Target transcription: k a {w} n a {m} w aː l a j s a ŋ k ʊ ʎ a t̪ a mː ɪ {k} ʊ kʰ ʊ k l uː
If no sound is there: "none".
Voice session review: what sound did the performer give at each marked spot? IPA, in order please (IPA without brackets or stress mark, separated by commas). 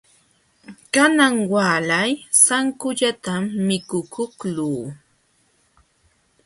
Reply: none, ŋ, k